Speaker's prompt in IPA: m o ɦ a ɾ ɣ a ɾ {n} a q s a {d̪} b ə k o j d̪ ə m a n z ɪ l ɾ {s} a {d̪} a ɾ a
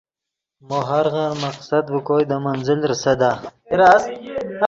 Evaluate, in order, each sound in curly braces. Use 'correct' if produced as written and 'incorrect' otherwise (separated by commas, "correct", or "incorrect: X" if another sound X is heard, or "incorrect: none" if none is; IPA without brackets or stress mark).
incorrect: m, correct, correct, correct